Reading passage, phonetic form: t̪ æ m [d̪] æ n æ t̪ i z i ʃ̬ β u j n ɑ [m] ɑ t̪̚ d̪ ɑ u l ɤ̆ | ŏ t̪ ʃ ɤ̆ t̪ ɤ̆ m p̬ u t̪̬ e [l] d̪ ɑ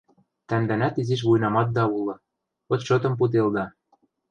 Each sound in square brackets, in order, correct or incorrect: correct, correct, correct

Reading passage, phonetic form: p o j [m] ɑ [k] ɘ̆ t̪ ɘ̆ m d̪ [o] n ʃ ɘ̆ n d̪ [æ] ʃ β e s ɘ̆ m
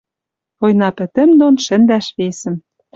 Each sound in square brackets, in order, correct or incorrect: incorrect, incorrect, correct, correct

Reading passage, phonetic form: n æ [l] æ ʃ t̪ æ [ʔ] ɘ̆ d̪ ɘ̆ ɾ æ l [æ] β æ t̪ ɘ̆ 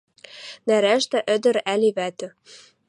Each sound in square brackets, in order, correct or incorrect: incorrect, correct, incorrect

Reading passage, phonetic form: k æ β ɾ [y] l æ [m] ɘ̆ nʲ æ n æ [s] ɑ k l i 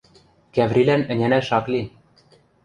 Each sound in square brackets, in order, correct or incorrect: incorrect, incorrect, incorrect

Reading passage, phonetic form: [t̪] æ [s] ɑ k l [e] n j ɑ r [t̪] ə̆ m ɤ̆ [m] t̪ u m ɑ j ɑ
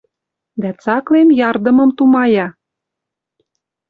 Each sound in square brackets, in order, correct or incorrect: incorrect, incorrect, correct, incorrect, correct

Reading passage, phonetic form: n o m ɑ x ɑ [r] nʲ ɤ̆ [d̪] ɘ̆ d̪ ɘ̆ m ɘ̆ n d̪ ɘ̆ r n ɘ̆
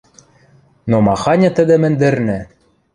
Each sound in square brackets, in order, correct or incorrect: incorrect, incorrect

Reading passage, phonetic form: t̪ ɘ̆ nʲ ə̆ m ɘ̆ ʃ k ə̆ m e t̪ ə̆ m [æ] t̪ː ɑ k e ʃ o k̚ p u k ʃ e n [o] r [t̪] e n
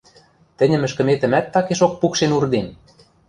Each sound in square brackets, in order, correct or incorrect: correct, incorrect, incorrect

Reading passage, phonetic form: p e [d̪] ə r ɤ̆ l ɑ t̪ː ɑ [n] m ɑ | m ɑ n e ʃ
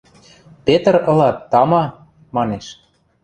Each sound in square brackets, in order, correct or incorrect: incorrect, incorrect

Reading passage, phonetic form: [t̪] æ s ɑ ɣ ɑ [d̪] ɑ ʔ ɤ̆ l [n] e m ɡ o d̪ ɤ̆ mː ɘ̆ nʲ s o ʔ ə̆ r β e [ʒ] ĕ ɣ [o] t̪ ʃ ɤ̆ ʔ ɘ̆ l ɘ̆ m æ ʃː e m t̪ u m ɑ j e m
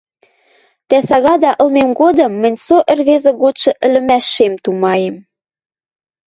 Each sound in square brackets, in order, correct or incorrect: correct, correct, incorrect, incorrect, correct

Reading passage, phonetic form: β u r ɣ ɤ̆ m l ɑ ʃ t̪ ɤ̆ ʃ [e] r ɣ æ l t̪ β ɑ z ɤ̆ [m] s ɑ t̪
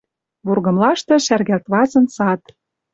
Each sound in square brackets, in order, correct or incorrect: incorrect, incorrect

